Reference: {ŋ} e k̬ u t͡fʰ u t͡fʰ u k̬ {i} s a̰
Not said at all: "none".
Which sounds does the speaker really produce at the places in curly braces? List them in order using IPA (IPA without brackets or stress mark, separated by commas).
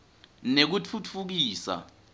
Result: n, iː